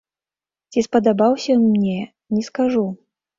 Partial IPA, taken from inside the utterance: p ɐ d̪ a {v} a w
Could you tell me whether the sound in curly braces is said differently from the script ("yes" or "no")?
yes